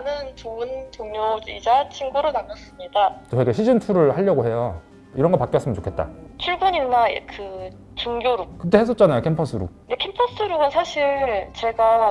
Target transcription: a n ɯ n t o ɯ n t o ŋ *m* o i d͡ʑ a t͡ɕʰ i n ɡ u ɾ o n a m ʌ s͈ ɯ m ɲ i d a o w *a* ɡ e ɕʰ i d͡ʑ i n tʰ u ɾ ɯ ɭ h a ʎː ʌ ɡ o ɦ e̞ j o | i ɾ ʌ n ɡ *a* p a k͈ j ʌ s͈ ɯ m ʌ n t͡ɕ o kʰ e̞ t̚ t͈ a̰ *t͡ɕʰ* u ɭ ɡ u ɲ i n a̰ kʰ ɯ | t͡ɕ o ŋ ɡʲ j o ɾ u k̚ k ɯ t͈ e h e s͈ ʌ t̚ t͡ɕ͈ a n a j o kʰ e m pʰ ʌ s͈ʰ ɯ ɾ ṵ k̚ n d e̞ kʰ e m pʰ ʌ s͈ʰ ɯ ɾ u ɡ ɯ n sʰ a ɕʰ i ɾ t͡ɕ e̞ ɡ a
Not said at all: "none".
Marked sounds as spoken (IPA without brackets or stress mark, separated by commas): ɲ, e, ʌ, t͡ɕʰ